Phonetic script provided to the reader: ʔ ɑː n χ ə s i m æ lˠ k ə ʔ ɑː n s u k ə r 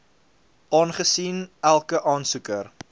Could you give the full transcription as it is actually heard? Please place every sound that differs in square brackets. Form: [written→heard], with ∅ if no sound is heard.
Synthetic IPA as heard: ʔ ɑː n χ ə s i [m→n] æ lˠ k ə ʔ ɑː n s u k ə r